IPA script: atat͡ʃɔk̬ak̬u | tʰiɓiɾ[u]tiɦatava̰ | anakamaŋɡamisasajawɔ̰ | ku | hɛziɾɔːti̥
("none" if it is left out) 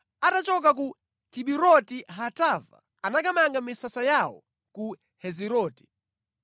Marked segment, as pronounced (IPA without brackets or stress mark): ɔ